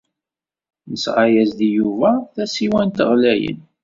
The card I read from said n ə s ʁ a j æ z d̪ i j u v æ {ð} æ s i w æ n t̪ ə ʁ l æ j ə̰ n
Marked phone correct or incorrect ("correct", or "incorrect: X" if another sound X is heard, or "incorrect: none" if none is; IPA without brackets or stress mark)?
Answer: incorrect: θ